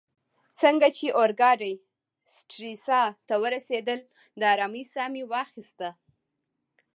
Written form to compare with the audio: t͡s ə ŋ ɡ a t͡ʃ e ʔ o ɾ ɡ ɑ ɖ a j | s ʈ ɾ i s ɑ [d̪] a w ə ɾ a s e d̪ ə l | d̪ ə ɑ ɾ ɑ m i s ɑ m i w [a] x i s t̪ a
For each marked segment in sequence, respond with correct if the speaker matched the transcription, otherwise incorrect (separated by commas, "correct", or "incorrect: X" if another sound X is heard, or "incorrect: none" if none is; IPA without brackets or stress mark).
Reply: incorrect: t̪, incorrect: ɑ